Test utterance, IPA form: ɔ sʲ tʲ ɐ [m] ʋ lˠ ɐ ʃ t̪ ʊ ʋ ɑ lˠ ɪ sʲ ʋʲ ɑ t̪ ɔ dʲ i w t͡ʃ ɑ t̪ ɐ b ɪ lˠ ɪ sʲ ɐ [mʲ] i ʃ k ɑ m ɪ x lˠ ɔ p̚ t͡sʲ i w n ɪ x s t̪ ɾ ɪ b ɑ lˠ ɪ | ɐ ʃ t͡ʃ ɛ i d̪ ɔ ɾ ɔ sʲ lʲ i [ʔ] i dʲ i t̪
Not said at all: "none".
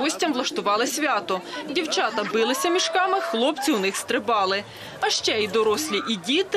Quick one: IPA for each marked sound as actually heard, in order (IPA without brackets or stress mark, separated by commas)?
m, mʲ, ʔ